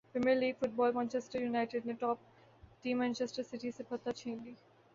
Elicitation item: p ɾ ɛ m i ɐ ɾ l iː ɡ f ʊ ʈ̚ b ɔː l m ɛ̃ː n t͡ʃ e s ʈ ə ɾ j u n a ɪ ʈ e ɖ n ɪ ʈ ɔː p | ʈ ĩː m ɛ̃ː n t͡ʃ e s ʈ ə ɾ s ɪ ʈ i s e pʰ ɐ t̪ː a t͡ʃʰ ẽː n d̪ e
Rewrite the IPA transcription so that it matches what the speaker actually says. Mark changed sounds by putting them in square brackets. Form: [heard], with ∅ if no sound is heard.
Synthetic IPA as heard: p ɾ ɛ m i [ə] ɾ l iː ɡ f ʊ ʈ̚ b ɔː l m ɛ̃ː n t͡ʃ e s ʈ ə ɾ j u n a ɪ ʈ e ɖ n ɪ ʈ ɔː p | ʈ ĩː m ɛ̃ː n t͡ʃ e s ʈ ə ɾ s ɪ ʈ i s e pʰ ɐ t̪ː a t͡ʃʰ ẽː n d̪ [i]